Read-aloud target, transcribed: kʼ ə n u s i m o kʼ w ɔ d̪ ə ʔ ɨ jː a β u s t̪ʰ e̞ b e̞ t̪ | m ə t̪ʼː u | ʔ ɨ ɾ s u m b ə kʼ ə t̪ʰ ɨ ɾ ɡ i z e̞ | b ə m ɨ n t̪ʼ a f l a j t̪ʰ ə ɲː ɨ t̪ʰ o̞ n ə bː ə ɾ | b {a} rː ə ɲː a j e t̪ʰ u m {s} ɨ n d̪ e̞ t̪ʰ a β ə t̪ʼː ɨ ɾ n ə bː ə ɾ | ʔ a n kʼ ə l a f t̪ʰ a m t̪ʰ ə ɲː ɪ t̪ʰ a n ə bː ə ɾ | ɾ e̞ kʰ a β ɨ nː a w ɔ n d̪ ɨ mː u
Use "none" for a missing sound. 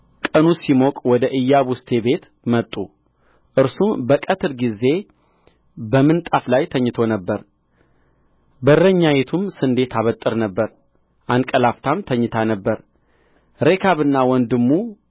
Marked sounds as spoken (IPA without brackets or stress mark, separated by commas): ə, s